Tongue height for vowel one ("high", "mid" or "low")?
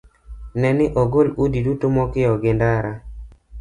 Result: mid